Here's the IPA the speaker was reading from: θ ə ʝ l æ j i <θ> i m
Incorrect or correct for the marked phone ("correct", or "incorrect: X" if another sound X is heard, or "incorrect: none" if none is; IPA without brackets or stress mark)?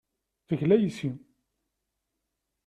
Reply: incorrect: s